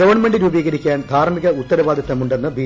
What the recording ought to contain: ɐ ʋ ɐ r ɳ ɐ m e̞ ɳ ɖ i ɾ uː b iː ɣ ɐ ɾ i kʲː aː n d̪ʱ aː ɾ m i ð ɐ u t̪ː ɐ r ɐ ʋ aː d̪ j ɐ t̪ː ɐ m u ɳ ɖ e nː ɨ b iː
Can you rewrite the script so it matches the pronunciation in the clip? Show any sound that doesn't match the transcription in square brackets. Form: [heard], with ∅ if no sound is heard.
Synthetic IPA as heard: ɐ ʋ ɐ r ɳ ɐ m e̞ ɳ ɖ i ɾ uː b iː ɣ ɐ ɾ i kʲː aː n d̪ʱ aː ɾ m i [ɣ] ɐ u t̪ː ɐ [ɾ] ɐ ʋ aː d̪ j ɐ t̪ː ɐ m u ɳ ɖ e nː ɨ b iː